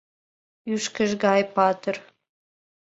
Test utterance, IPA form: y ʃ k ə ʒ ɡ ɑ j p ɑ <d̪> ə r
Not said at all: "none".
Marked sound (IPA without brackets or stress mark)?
t̪